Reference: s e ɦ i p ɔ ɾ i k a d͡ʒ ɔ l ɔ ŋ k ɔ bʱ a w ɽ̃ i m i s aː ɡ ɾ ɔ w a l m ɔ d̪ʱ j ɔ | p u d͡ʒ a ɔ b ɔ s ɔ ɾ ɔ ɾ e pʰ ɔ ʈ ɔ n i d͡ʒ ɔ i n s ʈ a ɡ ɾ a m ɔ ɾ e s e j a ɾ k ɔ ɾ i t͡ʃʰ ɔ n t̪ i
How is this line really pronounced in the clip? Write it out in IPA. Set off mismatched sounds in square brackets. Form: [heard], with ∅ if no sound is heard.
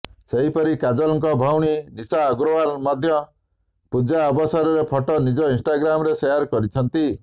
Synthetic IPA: s e ɦ i p ɔ ɾ i k a d͡ʒ ɔ l ɔ ŋ k ɔ bʱ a w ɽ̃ i [n] i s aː ɡ ɾ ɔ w a l m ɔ d̪ʱ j ɔ | p u d͡ʒ a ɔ b ɔ s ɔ ɾ ɔ ɾ e pʰ ɔ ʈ ɔ n i d͡ʒ ɔ i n s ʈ a ɡ ɾ a m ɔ ɾ e s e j a ɾ k ɔ ɾ i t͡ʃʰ ɔ n t̪ i